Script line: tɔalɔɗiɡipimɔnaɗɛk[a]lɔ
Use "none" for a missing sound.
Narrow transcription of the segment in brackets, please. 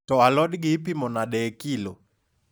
i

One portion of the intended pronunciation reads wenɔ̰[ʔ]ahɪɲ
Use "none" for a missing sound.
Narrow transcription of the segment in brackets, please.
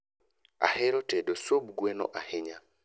ʔ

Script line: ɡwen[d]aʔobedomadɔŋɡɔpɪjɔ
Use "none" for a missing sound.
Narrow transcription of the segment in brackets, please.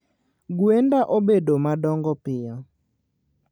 d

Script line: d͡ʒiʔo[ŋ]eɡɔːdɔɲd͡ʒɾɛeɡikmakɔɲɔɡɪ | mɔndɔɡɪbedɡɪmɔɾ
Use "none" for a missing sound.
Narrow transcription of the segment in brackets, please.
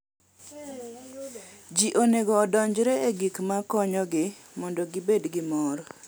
n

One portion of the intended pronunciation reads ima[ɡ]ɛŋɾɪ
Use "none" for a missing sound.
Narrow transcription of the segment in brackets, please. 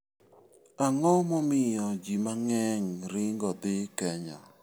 ŋ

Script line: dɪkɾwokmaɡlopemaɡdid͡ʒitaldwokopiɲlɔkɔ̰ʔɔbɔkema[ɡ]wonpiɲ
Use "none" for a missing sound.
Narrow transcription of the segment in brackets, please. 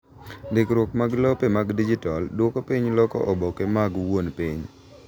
ɡ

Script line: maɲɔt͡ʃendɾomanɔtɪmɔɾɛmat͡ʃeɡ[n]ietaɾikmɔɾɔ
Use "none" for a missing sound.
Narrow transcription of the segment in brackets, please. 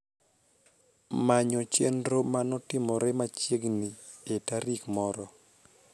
n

